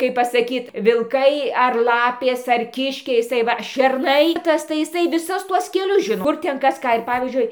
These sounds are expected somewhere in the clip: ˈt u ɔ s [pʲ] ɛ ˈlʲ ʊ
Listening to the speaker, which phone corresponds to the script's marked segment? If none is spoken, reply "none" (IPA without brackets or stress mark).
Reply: kʲ